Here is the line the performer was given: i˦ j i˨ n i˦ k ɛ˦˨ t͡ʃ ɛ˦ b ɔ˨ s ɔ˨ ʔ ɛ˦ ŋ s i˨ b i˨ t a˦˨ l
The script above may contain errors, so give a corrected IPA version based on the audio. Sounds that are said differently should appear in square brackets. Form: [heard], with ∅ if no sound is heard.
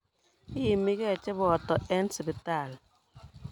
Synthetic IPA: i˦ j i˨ [m] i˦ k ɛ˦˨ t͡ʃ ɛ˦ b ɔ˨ [t] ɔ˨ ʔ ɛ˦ [n] s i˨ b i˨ t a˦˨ l